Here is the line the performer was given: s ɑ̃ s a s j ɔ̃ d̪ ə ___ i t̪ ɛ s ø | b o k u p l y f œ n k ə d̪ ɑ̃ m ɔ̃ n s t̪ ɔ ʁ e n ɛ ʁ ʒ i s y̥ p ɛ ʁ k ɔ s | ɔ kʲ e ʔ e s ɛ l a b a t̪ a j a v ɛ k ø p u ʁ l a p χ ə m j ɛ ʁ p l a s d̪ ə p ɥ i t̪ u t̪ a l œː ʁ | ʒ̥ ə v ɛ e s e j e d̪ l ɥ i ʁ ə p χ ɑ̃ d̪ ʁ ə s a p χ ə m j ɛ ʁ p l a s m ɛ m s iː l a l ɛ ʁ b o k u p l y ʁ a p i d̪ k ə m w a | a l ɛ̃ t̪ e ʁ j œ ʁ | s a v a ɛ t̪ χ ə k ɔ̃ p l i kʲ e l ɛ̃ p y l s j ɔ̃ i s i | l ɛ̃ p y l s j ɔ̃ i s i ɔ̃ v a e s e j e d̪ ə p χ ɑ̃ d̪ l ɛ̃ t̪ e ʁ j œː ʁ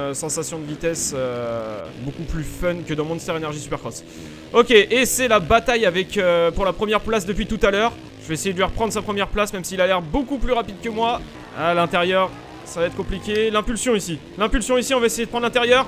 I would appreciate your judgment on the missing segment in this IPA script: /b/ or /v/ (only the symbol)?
v